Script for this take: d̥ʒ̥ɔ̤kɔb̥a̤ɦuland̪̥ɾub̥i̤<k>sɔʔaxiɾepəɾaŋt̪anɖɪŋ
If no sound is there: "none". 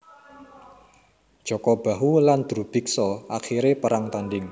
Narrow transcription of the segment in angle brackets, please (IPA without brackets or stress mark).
k